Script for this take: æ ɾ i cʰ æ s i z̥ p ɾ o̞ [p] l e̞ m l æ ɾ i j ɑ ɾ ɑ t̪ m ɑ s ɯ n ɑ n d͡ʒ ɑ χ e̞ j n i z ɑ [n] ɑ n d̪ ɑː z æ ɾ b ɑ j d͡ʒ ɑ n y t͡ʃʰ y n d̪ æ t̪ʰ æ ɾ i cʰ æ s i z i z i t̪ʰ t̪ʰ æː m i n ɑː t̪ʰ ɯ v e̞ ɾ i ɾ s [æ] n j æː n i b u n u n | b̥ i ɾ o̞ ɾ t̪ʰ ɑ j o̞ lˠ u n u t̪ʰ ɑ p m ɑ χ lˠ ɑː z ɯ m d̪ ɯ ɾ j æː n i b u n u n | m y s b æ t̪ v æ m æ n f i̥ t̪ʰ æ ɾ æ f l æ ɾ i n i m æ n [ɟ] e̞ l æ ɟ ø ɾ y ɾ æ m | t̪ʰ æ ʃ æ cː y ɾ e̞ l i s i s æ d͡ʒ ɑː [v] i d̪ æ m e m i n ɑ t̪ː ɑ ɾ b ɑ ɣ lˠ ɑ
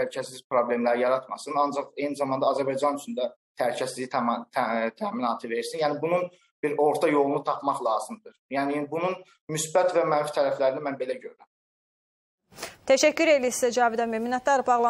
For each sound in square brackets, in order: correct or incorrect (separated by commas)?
incorrect, incorrect, incorrect, incorrect, correct